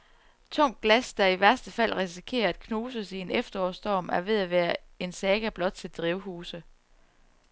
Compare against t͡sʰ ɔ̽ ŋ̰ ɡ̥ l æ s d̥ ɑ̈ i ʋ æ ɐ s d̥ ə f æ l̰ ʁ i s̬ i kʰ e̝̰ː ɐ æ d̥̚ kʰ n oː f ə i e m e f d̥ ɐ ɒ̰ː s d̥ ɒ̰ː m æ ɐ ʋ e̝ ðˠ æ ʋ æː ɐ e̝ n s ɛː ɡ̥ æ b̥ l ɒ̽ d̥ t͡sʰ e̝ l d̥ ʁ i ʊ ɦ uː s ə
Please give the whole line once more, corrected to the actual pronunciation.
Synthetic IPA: t͡sʰ ɔ̽ ŋ̰ ɡ̥ l æ s d̥ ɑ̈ i ʋ æ ɐ s d̥ ə f æ l̰ ʁ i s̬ i kʰ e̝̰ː ɐ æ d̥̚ kʰ n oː s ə i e n e f d̥ ɐ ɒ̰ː s d̥ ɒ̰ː m æ ɐ ʋ e̝ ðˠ æ ʋ æː ɐ e̝ n s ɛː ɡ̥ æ b̥ l ɒ̽ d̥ t͡sʰ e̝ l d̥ ʁ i ʊ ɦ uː s ə

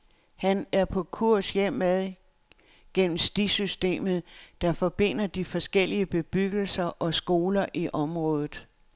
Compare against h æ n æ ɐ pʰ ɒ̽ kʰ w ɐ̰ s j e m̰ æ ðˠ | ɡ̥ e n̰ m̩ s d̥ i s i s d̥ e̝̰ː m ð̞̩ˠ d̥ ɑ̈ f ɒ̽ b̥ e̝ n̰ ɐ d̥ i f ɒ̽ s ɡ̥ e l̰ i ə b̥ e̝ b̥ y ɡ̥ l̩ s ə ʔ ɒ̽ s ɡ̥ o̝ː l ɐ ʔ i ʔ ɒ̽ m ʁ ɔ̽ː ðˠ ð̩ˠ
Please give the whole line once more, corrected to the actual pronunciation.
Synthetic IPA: h æ n æ ɐ pʰ ɒ̽ kʰ u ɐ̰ s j e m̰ æ ðˠ | ɡ̥ e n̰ m̩ s d̥ i s y s d̥ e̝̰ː m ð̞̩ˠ d̥ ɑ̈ f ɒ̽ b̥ e̝ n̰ ɐ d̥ i f ɒ̽ s ɡ̥ e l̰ i ə b̥ e̝ b̥ y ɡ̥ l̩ s ɐ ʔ ɒ̽ s ɡ̥ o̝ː l ɐ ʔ i ʔ ɒ̽ m ʁ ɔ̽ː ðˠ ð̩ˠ

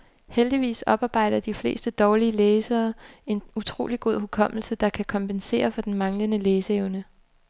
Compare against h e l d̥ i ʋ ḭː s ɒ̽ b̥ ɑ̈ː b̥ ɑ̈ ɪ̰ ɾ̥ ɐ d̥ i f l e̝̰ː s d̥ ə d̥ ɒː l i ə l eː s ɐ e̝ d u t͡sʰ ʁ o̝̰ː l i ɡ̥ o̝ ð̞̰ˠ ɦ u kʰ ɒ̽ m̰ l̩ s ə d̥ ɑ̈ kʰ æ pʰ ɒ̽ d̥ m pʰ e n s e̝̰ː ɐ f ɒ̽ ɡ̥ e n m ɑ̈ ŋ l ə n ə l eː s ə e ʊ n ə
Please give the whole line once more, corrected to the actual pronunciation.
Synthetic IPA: h e l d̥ i ʋ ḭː s ɒ̽ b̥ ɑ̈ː b̥ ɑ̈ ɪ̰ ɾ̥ ɐ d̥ i f l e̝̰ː s d̥ ə d̥ ɒː l i ə l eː s ɐː e̝ n u t͡sʰ ʁ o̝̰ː l i ɡ̥ o̝ ð̞̰ˠ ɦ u kʰ ɒ̽ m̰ l̩ s ə d̥ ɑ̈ kʰ æ kʰ ɒ̽ m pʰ e n s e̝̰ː ɐ f ɒ̽ d̥ e n m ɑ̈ ŋ l ə n ə l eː s ə e ʊ n ə

